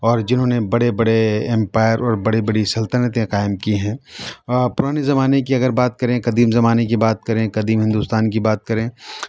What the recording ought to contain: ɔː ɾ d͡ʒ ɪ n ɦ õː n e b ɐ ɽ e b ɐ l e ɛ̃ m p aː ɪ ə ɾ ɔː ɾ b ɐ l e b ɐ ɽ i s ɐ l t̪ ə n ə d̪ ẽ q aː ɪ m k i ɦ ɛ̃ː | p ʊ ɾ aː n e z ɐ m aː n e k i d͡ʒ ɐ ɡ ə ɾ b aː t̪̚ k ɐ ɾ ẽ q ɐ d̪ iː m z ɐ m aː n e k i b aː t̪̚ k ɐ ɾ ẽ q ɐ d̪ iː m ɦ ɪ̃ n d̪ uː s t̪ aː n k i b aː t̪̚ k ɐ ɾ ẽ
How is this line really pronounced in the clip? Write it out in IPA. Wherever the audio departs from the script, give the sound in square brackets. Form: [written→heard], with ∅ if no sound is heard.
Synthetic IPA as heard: ɔː ɾ d͡ʒ ɪ n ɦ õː n e b ɐ ɽ e b ɐ [l→ɽ] e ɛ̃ m p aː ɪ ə ɾ ɔː ɾ b ɐ [l→ɽ] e b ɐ ɽ i s ɐ l t̪ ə n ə [d̪→t̪] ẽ q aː ɪ m k i ɦ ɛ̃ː | p ʊ ɾ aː n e z ɐ m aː n e k i [d͡ʒ→∅] ɐ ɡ ə ɾ b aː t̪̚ k ɐ ɾ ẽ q ɐ d̪ iː m z ɐ m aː n e k i b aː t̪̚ k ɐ ɾ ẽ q ɐ d̪ iː m ɦ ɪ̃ n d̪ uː s t̪ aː n k i b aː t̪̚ k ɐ ɾ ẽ